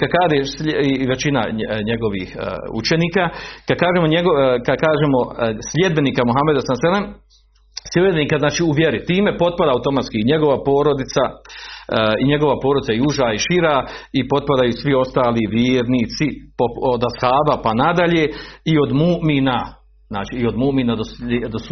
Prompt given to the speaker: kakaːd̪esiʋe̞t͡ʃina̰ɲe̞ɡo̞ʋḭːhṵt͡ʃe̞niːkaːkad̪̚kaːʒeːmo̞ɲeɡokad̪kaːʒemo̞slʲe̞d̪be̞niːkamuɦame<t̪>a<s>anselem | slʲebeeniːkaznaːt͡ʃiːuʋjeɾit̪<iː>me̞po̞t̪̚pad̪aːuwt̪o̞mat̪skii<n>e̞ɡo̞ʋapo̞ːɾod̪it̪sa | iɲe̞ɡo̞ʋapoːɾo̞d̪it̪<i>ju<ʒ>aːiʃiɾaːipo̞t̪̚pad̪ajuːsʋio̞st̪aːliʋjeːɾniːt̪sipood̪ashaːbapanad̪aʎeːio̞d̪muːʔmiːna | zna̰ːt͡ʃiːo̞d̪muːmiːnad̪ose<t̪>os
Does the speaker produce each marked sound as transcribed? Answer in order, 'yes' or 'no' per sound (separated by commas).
no, yes, yes, no, no, yes, no